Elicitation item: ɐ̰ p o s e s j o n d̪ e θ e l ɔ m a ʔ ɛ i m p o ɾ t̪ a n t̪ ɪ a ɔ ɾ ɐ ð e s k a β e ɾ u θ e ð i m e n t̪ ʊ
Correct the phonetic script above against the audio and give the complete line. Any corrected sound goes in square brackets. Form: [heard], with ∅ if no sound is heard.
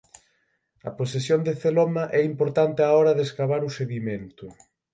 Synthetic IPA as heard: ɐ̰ p o s e s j o n d̪ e θ e l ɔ m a ʔ ɛ i m p o ɾ t̪ a n t̪ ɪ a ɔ ɾ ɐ ð e s k a β [a] ɾ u [s] e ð i m e n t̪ ʊ